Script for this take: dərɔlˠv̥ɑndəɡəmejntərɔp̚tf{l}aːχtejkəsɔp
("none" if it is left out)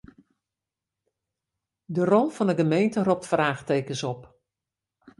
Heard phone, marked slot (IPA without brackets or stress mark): r